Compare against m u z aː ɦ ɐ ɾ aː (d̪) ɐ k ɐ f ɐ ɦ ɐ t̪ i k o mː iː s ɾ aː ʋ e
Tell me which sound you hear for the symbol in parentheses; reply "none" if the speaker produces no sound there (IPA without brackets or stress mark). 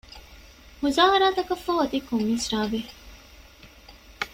t̪